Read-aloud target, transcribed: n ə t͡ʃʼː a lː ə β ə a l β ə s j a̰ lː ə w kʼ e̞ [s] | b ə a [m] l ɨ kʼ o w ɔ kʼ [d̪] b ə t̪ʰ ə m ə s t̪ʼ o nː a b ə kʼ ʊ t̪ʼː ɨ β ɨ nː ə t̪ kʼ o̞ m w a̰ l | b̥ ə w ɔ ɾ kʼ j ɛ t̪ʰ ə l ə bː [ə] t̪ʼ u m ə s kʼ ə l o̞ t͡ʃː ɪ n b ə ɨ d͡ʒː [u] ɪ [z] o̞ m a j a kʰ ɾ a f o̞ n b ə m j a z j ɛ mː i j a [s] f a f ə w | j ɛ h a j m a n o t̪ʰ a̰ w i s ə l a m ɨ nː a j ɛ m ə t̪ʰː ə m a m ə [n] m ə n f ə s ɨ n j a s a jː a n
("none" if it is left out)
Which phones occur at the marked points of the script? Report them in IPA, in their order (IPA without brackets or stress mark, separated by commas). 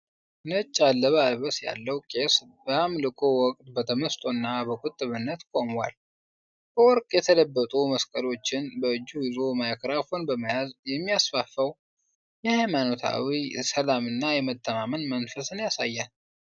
s, m, t̪, ə, u, z, s, n